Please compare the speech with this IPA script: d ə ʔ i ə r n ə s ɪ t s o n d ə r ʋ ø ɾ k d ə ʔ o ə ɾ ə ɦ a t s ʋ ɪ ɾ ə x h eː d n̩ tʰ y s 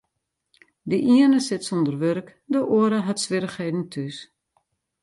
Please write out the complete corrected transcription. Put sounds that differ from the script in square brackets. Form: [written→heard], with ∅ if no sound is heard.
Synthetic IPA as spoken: d ə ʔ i ə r n ə s ɪ t s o n d ə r ʋ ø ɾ k d ə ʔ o ə ɾ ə ɦ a t s ʋ ɪ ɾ ə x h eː d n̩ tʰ y s